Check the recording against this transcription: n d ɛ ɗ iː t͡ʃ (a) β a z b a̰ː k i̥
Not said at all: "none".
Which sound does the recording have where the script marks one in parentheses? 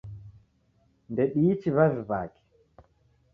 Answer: i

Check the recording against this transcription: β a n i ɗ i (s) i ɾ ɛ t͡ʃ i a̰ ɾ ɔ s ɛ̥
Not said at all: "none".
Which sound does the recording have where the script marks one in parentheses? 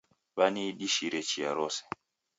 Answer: ʃ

